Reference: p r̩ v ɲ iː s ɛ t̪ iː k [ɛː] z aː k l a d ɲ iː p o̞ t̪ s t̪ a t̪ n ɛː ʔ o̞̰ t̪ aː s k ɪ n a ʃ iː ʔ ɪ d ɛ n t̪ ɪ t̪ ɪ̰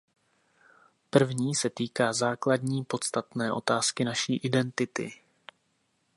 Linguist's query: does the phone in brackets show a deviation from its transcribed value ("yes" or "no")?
yes